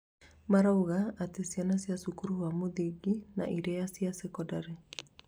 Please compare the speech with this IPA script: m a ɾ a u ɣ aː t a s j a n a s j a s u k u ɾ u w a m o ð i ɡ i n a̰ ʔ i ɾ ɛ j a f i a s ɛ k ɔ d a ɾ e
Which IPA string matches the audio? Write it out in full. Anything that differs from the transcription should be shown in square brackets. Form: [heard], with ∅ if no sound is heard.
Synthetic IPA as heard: m a ɾ a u ɣ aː t [e] s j a n a s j a s u k u ɾ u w a m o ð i ɡ i n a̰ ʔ i ɾ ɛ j a [s] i a s ɛ k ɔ d a ɾ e

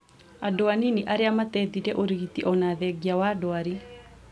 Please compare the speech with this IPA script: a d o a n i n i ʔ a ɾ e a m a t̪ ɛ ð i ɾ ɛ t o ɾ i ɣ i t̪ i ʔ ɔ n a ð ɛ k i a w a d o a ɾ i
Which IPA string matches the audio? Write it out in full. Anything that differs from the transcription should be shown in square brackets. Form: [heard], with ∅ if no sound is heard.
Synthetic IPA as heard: a d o a n i n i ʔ a ɾ e a m a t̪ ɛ ð i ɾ ɛ [ʔ] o ɾ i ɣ i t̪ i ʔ ɔ n a ð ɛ [ɡ] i a w a d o a ɾ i

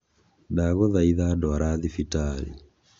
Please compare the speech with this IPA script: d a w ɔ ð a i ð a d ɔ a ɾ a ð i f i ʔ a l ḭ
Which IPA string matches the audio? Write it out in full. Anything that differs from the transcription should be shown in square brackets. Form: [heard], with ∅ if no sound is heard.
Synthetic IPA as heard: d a [ɣ] ɔ ð a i ð a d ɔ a ɾ a ð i f i [t] a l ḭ

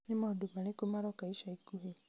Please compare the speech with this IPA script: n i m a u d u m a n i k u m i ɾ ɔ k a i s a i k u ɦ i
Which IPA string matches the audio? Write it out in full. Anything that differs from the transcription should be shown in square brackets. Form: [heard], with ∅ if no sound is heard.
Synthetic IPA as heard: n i m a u d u m a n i k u m [a] ɾ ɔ k a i [ʃ] a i k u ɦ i

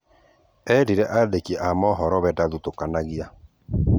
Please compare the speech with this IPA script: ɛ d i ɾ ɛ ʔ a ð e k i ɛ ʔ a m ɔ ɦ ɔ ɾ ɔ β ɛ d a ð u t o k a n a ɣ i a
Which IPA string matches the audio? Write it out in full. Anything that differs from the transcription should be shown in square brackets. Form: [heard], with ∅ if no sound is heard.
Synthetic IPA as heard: ɛ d i ɾ ɛ ʔ a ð e k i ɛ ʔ a m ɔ ɦ ɔ ɾ ɔ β ɛ d a ð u t o k a n a ɣ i a

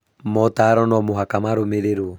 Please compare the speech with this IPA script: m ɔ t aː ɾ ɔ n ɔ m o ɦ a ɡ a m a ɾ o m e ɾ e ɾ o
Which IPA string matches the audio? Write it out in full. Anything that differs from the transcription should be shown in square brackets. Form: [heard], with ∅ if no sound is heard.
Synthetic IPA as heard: m ɔ t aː ɾ ɔ n ɔ m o ɦ a [k] a m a ɾ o m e ɾ e ɾ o

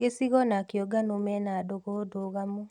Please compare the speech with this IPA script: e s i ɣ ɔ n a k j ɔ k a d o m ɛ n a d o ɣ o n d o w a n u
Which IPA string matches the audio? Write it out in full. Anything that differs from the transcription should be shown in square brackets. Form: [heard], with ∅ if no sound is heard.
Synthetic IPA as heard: e s i ɣ ɔ n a k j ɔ [ɡ] a [n] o m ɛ n a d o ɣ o [∅] d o [ɣ] a [m] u

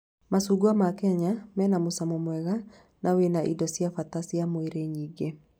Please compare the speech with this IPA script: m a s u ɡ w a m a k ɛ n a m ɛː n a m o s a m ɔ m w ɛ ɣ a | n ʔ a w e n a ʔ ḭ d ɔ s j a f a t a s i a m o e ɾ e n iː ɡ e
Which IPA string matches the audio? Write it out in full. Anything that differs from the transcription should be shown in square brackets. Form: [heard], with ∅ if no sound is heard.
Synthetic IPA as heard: m a s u ɡ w a m a k ɛ [ɲ] a m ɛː n a m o s a m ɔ m w ɛ ɣ a | n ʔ a w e n a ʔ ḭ d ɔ s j a f a t a s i a m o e ɾ e [ɲ] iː ɡ e

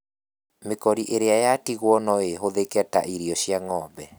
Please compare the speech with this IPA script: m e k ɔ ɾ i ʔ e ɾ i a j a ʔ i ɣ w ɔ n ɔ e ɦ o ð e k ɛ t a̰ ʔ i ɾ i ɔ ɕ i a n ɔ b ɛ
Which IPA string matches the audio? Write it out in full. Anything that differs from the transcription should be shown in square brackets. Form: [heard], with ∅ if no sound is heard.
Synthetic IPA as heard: m e k ɔ ɾ i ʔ e ɾ [e] a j a [t] i ɣ w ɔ n ɔ e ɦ o ð e k ɛ t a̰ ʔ i ɾ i ɔ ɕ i a [ŋ] ɔ b ɛ

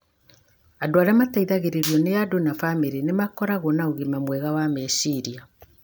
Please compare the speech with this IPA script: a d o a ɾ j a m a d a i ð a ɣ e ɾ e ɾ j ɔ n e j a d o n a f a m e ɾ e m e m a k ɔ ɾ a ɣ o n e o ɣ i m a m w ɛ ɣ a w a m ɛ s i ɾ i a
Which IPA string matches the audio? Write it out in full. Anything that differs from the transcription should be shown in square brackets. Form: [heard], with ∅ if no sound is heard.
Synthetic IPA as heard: a d o a ɾ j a m a [t] a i ð a ɣ e ɾ e ɾ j ɔ n e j a d o n a f a m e ɾ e [n] e m a k ɔ ɾ a ɣ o n [a] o ɣ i m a m w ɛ ɣ a w a m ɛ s i ɾ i a

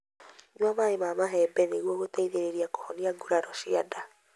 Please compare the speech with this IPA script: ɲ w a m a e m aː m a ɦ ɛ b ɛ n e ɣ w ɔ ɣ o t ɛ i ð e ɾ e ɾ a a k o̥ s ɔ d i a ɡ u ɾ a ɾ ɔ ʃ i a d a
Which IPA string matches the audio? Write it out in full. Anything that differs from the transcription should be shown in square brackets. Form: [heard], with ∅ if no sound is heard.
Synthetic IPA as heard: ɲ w a m a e m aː m a ɦ ɛ b ɛ n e ɣ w ɔ ɣ o t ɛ i ð e ɾ e ɾ [i] a k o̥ [h] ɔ [n] i a ɡ u ɾ a ɾ ɔ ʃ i a d a

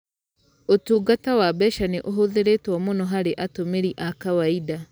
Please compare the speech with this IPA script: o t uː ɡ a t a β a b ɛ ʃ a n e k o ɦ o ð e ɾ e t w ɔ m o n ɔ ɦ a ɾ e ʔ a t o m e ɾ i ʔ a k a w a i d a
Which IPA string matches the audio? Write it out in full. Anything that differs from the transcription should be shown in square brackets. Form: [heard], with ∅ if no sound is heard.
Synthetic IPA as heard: o t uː ɡ a t a [w] a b ɛ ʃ a n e [ʔ] o ɦ o ð e ɾ e t w ɔ m o n ɔ ɦ a ɾ e ʔ a t o m e ɾ i ʔ a k a w a i d a

